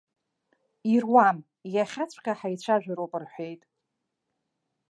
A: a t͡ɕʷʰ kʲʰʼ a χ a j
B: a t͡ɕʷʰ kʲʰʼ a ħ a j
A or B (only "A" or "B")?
B